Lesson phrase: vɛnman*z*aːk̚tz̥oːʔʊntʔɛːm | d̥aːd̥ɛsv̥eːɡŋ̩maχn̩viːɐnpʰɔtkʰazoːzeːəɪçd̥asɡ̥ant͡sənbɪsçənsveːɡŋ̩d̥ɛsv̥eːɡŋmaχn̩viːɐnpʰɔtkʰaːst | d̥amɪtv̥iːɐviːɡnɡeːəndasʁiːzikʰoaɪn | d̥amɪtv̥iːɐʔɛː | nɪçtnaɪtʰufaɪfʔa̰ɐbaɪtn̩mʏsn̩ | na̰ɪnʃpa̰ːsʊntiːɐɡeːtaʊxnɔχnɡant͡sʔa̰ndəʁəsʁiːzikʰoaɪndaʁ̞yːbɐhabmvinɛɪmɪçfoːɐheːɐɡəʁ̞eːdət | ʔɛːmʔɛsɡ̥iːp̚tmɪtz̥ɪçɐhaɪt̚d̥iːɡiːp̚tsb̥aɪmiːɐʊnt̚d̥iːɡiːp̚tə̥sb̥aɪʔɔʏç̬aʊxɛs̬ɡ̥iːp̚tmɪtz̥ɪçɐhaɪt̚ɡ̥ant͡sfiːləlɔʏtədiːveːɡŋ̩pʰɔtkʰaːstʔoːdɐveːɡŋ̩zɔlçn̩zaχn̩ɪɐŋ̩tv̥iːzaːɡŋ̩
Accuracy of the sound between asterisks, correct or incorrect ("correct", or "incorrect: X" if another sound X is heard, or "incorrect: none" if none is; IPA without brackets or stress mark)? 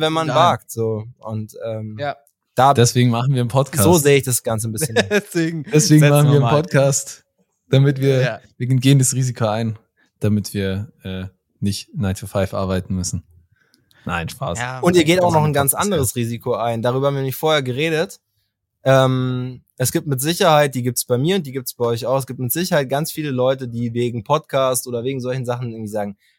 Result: incorrect: v